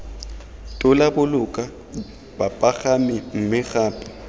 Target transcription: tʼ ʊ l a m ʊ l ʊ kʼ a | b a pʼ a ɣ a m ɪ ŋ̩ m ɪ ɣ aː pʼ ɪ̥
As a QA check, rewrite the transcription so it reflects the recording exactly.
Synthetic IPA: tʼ ʊ l a b ʊ l ʊ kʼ a | b a pʼ a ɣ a m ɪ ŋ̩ m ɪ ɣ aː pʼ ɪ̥